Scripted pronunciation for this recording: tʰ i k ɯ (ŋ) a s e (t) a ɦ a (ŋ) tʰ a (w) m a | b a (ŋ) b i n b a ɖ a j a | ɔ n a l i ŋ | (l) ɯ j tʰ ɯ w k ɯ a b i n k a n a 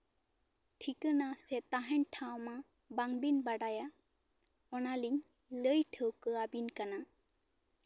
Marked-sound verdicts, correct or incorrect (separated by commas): incorrect, correct, incorrect, correct, correct, correct